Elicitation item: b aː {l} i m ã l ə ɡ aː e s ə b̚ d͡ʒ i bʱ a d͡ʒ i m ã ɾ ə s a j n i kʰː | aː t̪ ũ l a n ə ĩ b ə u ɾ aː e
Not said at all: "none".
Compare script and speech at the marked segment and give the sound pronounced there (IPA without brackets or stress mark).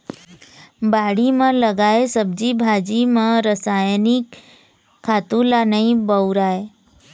ɽ